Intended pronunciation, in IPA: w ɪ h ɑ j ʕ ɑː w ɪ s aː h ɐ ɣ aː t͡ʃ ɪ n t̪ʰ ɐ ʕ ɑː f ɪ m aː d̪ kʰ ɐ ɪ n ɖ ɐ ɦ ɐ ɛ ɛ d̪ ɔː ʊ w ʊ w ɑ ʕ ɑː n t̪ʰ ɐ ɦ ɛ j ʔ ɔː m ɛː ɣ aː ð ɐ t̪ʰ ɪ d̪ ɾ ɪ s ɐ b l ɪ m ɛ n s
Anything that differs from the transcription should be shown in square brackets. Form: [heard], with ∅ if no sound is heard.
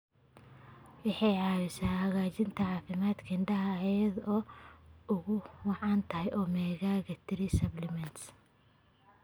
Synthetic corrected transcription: w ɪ [ħ] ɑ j ʕ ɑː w ɪ s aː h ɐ ɣ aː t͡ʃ ɪ n t̪ʰ ɐ ʕ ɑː f ɪ m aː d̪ kʰ ɐ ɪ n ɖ ɐ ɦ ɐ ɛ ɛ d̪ ɔː ʊ [ɣ] ʊ w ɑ ʕ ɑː n t̪ʰ ɐ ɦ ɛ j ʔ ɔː m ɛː ɣ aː [ɣ] ɐ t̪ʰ ɪ [∅] ɾ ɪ s ɐ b l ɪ m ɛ n s